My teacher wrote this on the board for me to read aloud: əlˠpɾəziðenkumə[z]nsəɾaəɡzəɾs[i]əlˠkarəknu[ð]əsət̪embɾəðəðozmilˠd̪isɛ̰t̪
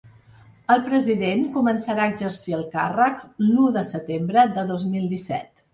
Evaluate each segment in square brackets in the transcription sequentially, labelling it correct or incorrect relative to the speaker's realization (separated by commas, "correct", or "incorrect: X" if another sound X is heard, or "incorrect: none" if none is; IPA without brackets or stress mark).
incorrect: none, correct, correct